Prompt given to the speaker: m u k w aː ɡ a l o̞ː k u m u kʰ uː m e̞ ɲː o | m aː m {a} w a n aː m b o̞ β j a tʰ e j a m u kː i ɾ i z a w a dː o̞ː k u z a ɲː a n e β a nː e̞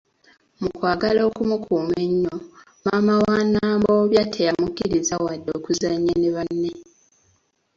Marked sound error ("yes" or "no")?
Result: no